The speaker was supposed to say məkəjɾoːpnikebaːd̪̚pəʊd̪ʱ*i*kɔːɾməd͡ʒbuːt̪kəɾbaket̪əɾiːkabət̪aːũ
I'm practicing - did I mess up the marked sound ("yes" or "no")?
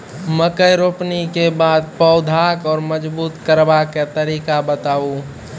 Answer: yes